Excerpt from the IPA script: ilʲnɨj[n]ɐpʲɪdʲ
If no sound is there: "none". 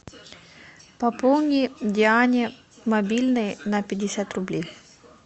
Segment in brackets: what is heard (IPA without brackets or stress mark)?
n